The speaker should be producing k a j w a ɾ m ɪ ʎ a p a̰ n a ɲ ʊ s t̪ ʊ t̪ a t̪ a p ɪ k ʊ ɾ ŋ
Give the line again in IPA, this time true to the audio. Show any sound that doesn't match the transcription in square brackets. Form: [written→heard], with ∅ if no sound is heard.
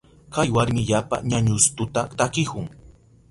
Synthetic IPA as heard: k a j w a ɾ m ɪ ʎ a p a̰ [n→ɲ] a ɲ ʊ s t̪ ʊ t̪ a t̪ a [p→k] ɪ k ʊ [ɾ→∅] ŋ